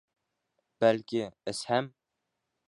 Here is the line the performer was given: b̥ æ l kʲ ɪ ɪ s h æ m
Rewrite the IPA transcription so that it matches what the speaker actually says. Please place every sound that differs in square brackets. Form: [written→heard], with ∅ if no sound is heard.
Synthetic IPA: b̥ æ l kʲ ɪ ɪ s h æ m